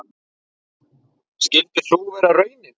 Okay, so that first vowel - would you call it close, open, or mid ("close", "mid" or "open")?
close